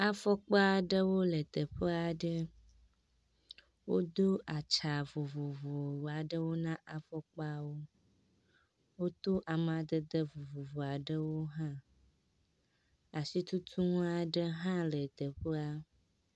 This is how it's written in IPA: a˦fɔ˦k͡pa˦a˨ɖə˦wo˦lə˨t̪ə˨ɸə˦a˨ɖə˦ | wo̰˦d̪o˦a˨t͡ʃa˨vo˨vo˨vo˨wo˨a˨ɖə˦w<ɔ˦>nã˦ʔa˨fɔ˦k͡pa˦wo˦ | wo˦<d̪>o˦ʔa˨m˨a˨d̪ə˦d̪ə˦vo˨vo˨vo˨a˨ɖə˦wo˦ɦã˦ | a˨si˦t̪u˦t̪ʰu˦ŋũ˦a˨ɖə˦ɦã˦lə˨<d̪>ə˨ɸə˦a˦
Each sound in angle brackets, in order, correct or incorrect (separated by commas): incorrect, incorrect, incorrect